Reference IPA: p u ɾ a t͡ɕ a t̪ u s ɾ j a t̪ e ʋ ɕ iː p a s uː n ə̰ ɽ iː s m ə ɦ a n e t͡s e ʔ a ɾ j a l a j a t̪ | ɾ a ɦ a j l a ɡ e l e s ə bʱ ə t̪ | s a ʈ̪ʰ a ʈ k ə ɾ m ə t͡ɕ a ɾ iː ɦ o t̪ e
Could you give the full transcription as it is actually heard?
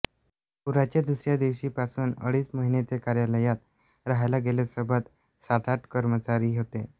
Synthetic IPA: p u ɾ a t͡ɕ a d̪ u s ɾ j a d̪ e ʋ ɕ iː p a s uː n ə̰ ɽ iː s m ə ɦ i n e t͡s e k a ɾ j a l ə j a t̪ | ɾ a ɦ a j l a ɡ e l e s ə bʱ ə t̪ | s a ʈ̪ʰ a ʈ k ə ɾ m ə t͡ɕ a ɾ iː ɦ o t̪ e

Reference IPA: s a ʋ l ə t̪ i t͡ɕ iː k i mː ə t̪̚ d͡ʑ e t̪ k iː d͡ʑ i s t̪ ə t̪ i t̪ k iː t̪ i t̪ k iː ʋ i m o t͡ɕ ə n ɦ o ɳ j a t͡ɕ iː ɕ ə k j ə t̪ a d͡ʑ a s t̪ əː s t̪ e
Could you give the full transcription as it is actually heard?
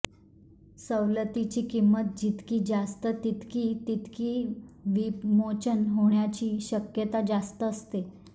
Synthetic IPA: s ə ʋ l ə t̪ i t͡ɕ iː k i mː ə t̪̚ d͡ʑ i t̪ k iː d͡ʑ a s t̪ ə t̪ i t̪ k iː t̪ i t̪ k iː ʋ i m o t͡ɕ ə n ɦ o ɳ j a t͡ɕ iː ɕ ə k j ə t̪ a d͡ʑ a s t̪ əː s t̪ e

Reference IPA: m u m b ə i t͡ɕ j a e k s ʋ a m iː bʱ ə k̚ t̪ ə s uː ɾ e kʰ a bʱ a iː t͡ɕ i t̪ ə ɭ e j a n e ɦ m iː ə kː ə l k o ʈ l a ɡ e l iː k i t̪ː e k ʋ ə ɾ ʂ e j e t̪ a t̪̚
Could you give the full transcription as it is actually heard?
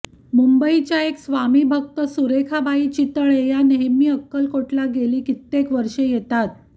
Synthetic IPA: m u m b ə i t͡ɕ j a e k s ʋ a m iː bʱ ə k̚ t̪ ə s u ɾ e kʰ a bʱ a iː t͡ɕ i t̪ ə ɭ e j a n e ɦ m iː ə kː ə l k o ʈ l a ɡ e l iː k i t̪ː e k ʋ ə ɾ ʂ e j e t̪ a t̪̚

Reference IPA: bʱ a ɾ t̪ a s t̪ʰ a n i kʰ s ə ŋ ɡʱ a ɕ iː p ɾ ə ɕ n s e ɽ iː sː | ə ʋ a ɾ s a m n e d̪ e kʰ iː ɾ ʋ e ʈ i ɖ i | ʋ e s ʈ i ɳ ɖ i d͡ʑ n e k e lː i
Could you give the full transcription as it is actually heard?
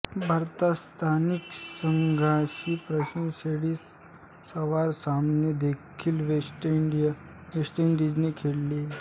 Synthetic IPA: bʱ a ɾ t̪ a s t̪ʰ a n i k s ə ŋ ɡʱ a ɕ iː p ɾ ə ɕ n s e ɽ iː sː | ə ʋ a ɾ s a m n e d̪ e kʰ iː l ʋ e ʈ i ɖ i | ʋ e s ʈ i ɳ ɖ i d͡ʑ n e kʰ e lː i

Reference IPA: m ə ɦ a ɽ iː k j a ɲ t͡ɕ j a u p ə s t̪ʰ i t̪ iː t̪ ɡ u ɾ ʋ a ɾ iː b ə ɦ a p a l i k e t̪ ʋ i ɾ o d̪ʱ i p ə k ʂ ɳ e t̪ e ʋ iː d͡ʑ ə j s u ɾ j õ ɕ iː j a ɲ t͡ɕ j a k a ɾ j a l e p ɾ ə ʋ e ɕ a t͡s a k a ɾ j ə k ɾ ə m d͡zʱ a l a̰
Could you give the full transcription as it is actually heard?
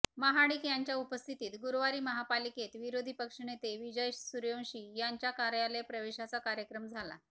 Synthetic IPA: m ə ɦ a ɽ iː k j a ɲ t͡ɕ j a u p ə s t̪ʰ i t̪ iː t̪ ɡ u ɾ ʋ a ɾ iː m ə ɦ a p a l i k e t̪ ʋ i ɾ o d̪ʱ i p ə k ʂ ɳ e t̪ e ʋ i d͡ʑ ə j s u ɾ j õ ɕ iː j a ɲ t͡ɕ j a k a ɾ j a l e p ɾ ə ʋ e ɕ a t͡s a k a ɾ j ə k ɾ ə m d͡zʱ a l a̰

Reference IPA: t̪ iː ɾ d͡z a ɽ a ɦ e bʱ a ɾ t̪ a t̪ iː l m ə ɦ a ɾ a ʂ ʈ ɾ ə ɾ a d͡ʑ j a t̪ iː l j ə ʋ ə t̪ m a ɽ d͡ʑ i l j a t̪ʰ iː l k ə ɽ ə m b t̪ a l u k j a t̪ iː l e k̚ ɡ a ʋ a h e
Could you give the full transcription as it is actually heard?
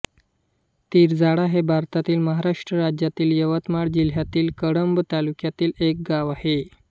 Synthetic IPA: t̪ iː ɾ d͡z a ɽ a ɦ e bʱ a ɾ t̪ a t̪ iː l m ə ɦ a ɾ a ʂ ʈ ɾ ə ɾ a d͡ʑ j a t̪ iː l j ə ʋ ə t̪ m a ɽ d͡ʑ i l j a t̪ iː l k ə ɽ ə m b t̪ a l u k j a t̪ iː l e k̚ ɡ a ʋ a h e

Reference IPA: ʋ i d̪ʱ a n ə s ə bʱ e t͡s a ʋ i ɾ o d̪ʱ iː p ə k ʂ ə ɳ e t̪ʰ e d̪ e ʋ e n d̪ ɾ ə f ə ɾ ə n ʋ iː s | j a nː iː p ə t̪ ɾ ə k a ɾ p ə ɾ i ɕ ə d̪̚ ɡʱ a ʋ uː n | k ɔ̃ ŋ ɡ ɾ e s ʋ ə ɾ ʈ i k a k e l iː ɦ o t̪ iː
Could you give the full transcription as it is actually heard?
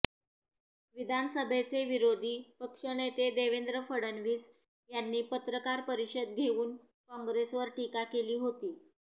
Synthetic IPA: ʋ i d̪ʱ a n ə s ə bʱ e t͡s e ʋ i ɾ o d̪ʱ iː p ə k ʂ ə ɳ e t̪ e d̪ e ʋ e n d̪ ɾ ə f ə ɽ ə n ʋ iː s | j a nː iː p ə t̪ ɾ ə k a ɾ p ə ɾ i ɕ ə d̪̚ ɡʱ e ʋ uː n | k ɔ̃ ŋ ɡ ɾ e s ʋ ə ɾ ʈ i k a k e l iː ɦ o t̪ iː

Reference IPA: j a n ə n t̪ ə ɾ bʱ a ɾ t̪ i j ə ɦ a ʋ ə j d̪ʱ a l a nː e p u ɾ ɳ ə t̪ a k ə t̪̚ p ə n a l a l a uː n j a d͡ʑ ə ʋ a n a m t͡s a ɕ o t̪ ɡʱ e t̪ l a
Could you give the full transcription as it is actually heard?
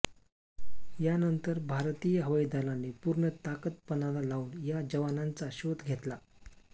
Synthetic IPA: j a n ə n t̪ ə ɾ bʱ a ɾ t̪ i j ə ɦ ə ʋ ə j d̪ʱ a l a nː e p u ɾ ɳ ə t̪ a k ə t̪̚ p ə n a l a l a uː n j a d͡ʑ ə ʋ a n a n t͡s a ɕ o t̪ ɡʱ e t̪ l a

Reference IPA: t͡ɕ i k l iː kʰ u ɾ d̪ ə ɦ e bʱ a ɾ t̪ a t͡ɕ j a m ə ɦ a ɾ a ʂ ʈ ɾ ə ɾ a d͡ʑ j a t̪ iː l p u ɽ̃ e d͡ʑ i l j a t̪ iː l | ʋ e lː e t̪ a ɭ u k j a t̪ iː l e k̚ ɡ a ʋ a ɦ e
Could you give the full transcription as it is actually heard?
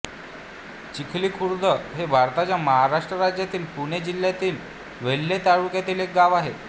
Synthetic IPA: t͡ɕ i kʰ l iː kʰ u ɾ d̪ ə ɦ e bʱ a ɾ t̪ a t͡ɕ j a m ə ɦ a ɾ a ʂ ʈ ɾ ə ɾ a d͡ʑ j a t̪ iː l p u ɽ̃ e d͡ʑ i l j a t̪ iː l | ʋ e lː e t̪ a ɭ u k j a t̪ iː l e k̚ ɡ a ʋ a ɦ e

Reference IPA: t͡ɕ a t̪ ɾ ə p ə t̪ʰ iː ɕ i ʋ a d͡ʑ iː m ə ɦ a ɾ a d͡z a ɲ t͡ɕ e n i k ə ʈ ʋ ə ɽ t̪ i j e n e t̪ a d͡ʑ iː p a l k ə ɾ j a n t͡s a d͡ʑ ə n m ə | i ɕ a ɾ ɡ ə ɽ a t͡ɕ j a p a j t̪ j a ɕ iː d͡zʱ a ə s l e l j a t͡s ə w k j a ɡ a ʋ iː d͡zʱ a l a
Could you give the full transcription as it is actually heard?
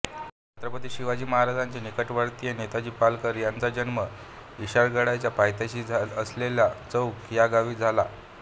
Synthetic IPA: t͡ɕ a t̪ ɾ ə p ə t̪ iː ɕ i ʋ a d͡ʑ iː m ə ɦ a ɾ a d͡z a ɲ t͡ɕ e n i k ə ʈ ʋ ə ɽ t̪ i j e n e t̪ a d͡ʑ iː p a l k ə ɾ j a n t͡s a d͡ʑ ə n m ə | i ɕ a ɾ ɡ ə ɽ a t͡ɕ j a p a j t̪ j a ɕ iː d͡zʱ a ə s l e l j a t͡s ə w k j a ɡ a ʋ iː d͡zʱ a l a

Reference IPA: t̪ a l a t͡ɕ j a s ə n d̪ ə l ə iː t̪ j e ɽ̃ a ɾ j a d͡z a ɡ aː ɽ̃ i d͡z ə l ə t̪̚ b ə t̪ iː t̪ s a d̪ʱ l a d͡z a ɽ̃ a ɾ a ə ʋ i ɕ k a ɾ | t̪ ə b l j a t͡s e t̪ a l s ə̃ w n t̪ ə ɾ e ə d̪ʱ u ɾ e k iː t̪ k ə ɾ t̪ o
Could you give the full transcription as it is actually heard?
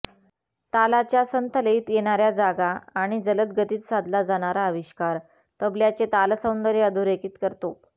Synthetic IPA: t̪ a l a t͡ɕ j a s ə n t̪ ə l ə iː t̪ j e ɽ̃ a ɾ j a d͡z a ɡ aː ɽ̃ i d͡z ə l ə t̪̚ ɡ ə t̪ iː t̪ s a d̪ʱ l a d͡z a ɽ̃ a ɾ a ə ʋ i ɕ k a ɾ | t̪ ə b l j a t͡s e t̪ a l s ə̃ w n d̪ ə ɾ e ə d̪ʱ u ɾ e k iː t̪ k ə ɾ t̪ o

